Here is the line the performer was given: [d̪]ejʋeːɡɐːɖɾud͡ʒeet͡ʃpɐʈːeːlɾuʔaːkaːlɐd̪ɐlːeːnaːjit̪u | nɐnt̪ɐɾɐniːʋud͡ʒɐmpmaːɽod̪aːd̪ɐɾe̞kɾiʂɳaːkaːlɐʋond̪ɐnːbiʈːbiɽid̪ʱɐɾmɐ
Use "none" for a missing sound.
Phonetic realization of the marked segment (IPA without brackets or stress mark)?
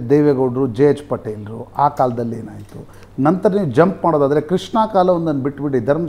d̪